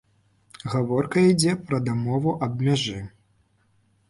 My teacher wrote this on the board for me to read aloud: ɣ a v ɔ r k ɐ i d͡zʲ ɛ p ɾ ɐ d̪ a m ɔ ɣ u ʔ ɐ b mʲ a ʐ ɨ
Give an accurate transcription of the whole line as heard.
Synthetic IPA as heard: ɣ a v ɔ r k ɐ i d͡zʲ ɛ p ɾ ɐ d̪ a m ɔ v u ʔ ɐ b mʲ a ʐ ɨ

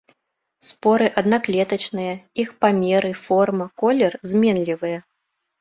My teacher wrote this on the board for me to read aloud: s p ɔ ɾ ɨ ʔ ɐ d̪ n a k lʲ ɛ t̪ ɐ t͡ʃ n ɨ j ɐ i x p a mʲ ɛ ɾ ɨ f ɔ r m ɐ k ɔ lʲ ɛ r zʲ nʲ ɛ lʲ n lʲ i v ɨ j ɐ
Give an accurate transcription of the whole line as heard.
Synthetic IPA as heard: s p ɔ ɾ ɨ ʔ ɐ d̪ n a k lʲ ɛ t̪ ɐ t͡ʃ n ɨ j ɐ i x p a mʲ ɛ ɾ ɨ f ɔ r m ɐ k ɔ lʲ ɛ r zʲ mʲ ɛ n lʲ i v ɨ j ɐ

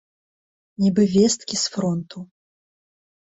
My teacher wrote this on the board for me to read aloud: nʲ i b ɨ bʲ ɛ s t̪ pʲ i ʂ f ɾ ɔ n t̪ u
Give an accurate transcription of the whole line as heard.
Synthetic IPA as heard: nʲ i b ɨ vʲ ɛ s t̪ kʲ i s f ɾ ɔ n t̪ u

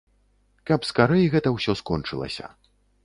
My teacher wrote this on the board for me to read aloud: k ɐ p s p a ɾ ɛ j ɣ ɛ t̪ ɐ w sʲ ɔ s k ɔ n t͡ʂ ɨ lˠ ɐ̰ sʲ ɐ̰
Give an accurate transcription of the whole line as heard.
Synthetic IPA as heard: k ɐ p s k a ɾ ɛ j ɣ ɛ t̪ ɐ w sʲ ɔ s k ɔ n t͡ʂ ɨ lˠ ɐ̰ sʲ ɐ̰

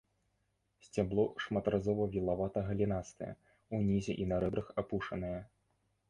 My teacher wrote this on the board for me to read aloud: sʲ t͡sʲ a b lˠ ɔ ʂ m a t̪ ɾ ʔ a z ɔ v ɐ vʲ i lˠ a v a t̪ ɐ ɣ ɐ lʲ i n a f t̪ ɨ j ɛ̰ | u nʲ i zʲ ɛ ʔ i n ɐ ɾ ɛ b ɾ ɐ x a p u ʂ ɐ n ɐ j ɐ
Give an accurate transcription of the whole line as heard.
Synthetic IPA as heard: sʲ t͡sʲ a b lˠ ɔ ʂ m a t̪ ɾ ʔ a z ɔ v ɐ vʲ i lˠ a v a t̪ ɐ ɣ ɐ lʲ i n a s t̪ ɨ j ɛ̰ | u nʲ i zʲ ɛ ʔ i n ɐ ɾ ɛ b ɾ ɐ x a p u ʂ ɐ n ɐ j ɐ

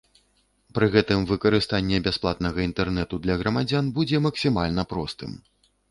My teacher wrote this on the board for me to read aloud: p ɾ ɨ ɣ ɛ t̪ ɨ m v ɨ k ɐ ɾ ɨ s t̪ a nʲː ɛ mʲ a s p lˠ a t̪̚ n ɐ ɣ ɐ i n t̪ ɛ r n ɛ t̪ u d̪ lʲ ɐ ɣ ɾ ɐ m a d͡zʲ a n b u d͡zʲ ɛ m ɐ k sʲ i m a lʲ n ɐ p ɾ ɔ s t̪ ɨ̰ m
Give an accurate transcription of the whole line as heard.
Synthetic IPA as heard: p ɾ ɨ ɣ ɛ t̪ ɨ m v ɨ k ɐ ɾ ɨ s t̪ a nʲː ɛ bʲ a s p lˠ a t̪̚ n ɐ ɣ ɐ i n t̪ ɛ r n ɛ t̪ u d̪ lʲ ɐ ɣ ɾ ɐ m a d͡zʲ a n b u d͡zʲ ɛ m ɐ k sʲ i m a lʲ n ɐ p ɾ ɔ s t̪ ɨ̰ m

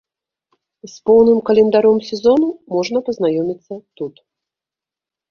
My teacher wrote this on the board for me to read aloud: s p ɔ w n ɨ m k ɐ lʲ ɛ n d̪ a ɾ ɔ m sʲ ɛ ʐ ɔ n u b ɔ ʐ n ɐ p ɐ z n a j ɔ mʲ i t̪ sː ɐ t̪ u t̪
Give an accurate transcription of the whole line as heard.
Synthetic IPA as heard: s p ɔ w n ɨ m k ɐ lʲ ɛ n d̪ a ɾ ɔ m sʲ ɛ z ɔ n u m ɔ ʐ n ɐ p ɐ z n a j ɔ mʲ i t̪ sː ɐ t̪ u t̪

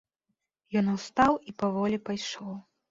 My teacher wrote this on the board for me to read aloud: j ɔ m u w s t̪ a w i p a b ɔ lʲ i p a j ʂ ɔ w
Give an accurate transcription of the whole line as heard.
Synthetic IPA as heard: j ɔ n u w s t̪ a w i p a v ɔ lʲ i p a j ʂ ɔ w

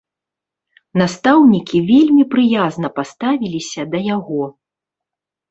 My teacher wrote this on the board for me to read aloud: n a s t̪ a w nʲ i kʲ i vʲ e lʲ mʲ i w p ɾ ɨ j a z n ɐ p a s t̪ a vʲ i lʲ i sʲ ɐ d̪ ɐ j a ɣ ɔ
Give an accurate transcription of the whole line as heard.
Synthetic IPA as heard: n a s t̪ a w nʲ i kʲ i vʲ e lʲ mʲ i p ɾ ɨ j a z n ɐ p a s t̪ a vʲ i lʲ i sʲ ɐ d̪ ɐ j a ɣ ɔ

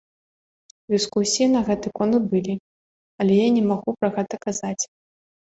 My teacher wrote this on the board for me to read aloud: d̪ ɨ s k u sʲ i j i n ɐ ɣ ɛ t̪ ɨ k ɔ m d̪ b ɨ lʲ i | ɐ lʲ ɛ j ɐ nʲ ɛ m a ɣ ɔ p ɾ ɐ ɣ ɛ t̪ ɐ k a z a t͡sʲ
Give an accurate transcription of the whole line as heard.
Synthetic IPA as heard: d̪ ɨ s k u sʲ i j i n ɐ ɣ ɛ t̪ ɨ k ɔ n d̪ b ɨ lʲ i | ɐ lʲ ɛ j a nʲ ɛ m a ɣ u p ɾ ɐ ɣ ɛ t̪ ɐ k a z a t͡sʲ

